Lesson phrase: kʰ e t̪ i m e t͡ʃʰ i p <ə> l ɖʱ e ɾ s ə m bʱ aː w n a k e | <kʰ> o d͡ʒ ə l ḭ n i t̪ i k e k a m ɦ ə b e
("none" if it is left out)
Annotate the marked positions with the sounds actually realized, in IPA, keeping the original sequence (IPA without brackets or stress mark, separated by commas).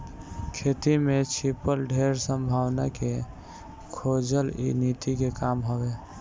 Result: ə, kʰ